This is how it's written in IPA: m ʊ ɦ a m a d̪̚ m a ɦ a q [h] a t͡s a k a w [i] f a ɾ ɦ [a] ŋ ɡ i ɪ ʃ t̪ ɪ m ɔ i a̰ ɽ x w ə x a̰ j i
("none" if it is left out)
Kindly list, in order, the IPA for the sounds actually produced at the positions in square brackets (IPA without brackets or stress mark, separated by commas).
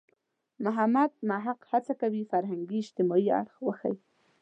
h, i, a